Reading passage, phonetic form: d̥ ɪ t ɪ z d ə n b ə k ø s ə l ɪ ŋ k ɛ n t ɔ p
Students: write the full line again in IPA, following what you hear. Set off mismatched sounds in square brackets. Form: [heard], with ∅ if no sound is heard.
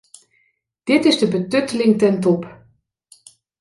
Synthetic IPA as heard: d̥ ɪ t ɪ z d ə [∅] b ə [t] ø [t] ə l ɪ ŋ [t] ɛ n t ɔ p

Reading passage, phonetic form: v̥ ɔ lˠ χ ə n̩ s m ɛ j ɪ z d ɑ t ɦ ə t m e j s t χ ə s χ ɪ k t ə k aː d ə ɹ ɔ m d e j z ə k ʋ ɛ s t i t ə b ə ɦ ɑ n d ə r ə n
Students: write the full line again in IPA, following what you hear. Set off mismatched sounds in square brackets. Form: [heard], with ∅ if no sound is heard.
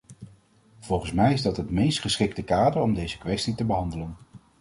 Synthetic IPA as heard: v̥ ɔ lˠ χ ə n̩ s m ɛ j ɪ z d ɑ t ɦ ə t m e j s t χ ə s χ ɪ k t ə k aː d ə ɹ ɔ m d e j z ə k ʋ ɛ s t i t ə b ə ɦ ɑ n d ə [l] ə n

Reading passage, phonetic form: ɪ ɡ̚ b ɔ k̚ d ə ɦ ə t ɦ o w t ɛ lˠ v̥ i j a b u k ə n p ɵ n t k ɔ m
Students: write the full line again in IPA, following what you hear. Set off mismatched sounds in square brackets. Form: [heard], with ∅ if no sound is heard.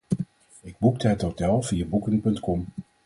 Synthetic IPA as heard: ɪ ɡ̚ b [u] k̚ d ə ɦ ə t ɦ o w t ɛ lˠ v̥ i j a b u k ə n p ɵ n t k ɔ m

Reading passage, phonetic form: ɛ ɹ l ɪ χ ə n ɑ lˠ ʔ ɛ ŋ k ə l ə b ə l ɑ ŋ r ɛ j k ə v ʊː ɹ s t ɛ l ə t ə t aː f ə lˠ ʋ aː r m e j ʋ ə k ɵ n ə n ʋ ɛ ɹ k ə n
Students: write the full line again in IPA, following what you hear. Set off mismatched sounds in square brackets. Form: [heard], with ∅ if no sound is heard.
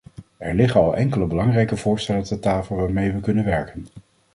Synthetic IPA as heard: ɛ ɹ l ɪ χ ə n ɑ lˠ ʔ ɛ ŋ k ə l ə b ə l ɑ ŋ r ɛ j k ə v ʊː ɹ s t ɛ l ə t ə t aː f ə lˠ ʋ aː [ɹ] m e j ʋ ə k ɵ n ə n ʋ ɛ ɹ k ə n

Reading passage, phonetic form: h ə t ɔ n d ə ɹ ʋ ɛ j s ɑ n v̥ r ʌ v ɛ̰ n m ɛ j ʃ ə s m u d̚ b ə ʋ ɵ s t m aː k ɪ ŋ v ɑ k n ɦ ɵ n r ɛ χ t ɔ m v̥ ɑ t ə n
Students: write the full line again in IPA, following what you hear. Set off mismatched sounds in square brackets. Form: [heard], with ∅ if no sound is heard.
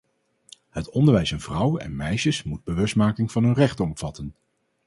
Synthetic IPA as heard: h ə t ɔ n d ə ɹ ʋ ɛ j s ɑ n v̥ r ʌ [w] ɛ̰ n m ɛ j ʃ ə s m u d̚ b ə ʋ ɵ s t m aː k ɪ ŋ v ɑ [∅] n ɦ ɵ n r ɛ χ t ɔ m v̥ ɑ t ə n

